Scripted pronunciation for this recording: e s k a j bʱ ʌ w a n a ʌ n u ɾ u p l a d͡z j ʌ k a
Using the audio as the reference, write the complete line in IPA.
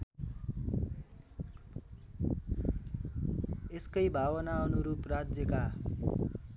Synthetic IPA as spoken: e s k ʌ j bʱ a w ʌ n a ʌ n u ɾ u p r a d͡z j ʌ k a